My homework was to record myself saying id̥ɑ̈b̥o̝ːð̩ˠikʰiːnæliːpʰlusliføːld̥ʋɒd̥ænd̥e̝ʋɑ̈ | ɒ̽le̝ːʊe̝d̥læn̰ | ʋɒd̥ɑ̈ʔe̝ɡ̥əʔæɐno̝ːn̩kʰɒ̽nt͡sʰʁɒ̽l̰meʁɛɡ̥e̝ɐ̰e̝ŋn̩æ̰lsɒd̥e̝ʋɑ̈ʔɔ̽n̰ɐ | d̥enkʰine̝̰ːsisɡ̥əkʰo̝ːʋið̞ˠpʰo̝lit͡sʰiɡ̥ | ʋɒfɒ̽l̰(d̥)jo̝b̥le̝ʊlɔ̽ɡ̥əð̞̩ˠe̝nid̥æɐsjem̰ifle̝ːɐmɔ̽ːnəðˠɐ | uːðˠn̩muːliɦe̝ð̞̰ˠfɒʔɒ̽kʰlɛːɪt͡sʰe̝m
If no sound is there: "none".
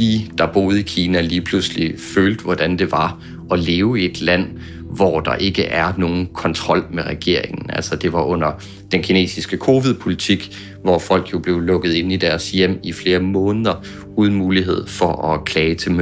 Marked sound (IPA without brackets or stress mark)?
ɡ̥